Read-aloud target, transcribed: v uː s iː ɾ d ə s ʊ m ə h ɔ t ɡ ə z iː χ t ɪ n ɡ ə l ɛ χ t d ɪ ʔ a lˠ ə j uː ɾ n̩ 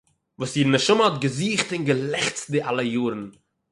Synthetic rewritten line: v uː s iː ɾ n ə ʃ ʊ m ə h ɔ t ɡ ə z iː χ t ɪ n ɡ ə l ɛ χ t d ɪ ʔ a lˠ ə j uː ɾ n̩